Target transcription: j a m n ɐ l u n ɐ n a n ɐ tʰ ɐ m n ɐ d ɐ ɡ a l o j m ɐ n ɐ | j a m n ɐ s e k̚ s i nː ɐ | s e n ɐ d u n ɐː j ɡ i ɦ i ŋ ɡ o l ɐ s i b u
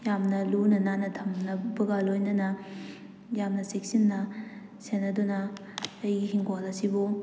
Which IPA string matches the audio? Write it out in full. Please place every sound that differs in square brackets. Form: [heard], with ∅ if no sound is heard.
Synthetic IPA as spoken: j a m n ɐ l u n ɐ n a n ɐ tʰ ɐ m n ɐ [b] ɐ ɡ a l o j [n] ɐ n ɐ | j a m n ɐ s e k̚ s i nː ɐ | s e n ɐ d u n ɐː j ɡ i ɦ i ŋ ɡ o l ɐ s i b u